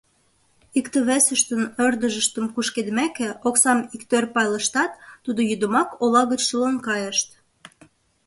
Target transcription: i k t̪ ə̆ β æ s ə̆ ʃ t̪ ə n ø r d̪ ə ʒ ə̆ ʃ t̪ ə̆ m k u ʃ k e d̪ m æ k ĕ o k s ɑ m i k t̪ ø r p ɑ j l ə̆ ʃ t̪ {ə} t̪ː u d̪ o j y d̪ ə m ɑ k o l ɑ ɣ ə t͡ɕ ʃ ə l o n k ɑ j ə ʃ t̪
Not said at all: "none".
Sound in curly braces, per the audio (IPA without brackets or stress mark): ɑ